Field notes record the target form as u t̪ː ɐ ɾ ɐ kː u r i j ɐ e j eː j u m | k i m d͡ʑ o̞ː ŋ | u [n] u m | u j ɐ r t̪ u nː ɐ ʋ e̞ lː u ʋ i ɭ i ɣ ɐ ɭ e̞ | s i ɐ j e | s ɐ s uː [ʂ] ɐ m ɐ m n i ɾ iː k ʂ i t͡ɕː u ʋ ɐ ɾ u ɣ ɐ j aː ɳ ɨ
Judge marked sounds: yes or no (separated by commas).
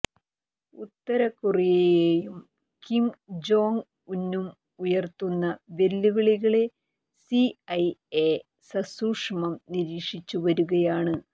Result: no, yes